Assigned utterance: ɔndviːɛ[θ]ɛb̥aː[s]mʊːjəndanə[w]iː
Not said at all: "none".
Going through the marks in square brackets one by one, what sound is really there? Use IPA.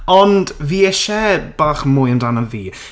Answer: ʃ, χ, v

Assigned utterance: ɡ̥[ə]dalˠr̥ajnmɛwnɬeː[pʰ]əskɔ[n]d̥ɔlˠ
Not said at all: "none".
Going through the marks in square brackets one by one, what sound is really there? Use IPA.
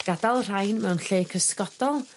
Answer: a, kʰ, none

